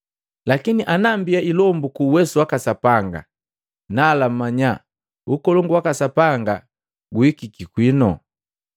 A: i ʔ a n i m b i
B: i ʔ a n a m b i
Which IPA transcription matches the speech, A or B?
B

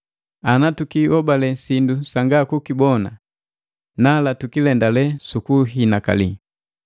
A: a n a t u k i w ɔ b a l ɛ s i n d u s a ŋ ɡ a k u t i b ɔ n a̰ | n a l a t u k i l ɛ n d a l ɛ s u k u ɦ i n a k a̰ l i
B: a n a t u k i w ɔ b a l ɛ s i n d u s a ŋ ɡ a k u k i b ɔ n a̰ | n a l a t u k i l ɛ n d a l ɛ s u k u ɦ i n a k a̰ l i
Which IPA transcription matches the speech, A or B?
B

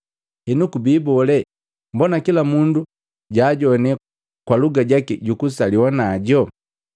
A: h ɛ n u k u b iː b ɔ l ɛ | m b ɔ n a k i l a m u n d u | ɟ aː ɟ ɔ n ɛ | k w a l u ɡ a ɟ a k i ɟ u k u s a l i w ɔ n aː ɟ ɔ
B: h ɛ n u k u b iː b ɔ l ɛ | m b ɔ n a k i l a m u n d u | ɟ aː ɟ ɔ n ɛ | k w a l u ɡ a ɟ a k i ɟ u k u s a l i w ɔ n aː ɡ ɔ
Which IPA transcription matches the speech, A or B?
A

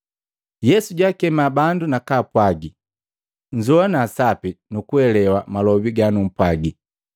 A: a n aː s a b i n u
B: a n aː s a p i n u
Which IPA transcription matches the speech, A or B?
B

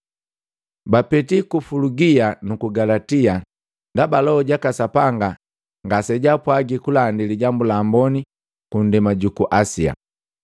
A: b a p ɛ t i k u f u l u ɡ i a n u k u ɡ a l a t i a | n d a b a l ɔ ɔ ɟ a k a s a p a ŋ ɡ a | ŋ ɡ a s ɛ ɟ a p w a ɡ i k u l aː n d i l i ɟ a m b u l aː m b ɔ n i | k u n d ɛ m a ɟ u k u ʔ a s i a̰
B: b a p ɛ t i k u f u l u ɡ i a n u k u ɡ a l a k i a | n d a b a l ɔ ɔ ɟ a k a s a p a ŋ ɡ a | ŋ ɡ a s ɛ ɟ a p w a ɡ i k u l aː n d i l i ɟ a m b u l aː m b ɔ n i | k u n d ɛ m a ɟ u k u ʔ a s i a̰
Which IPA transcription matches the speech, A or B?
A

